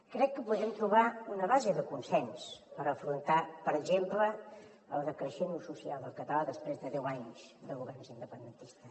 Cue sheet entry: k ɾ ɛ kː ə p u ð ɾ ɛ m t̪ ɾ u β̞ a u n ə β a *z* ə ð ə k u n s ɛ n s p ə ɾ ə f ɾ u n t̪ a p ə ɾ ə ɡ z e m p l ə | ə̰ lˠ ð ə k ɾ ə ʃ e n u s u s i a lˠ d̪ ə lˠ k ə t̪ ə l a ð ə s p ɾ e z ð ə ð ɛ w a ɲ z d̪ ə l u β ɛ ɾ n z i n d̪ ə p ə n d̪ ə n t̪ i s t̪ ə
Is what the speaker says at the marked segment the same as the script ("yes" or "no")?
yes